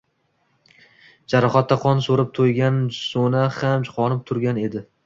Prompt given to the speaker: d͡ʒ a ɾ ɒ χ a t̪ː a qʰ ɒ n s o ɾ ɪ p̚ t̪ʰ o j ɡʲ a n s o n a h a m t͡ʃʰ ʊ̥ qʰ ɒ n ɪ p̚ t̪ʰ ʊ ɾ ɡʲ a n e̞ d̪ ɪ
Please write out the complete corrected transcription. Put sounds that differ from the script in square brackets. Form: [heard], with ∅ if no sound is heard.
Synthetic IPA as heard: d͡ʒ a ɾ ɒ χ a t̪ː a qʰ ɒ n s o ɾ ɪ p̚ t̪ʰ o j ɡʲ a n s o n a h a m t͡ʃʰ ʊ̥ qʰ ɒ n ɪ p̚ t̪ʰ ʊ ɾ ɡʲ a n e̞ d̪ ɪ